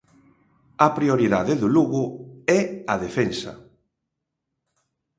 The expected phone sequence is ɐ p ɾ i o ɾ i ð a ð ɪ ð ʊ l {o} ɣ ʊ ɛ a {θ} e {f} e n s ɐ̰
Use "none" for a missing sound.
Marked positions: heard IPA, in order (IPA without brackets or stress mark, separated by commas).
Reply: u, ð, f